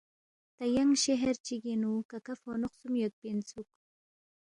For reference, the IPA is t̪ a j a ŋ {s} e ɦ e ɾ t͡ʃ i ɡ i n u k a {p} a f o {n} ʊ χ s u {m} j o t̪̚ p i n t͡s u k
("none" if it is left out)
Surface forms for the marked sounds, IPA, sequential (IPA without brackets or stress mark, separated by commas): ʃ, k, n, m